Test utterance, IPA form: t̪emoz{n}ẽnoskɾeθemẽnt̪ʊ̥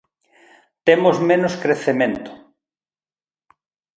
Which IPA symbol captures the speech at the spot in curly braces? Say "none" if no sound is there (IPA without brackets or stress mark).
m